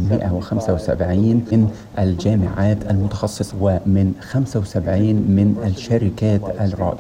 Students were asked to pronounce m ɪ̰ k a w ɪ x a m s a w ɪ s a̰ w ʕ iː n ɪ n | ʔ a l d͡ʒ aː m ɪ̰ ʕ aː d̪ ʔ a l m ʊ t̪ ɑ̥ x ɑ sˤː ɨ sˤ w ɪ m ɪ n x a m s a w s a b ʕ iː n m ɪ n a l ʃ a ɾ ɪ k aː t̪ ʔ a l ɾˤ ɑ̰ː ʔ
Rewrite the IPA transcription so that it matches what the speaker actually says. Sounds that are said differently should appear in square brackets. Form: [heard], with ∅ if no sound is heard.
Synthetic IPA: m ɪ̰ [ʔ] a w ɪ x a m s a w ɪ s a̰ [b] ʕ iː n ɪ n | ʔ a l d͡ʒ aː m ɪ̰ ʕ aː [t̪] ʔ a l m ʊ t̪ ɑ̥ x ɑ sˤː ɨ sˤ w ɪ m ɪ n x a m s a w s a b ʕ iː n m ɪ n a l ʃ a ɾ ɪ k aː t̪ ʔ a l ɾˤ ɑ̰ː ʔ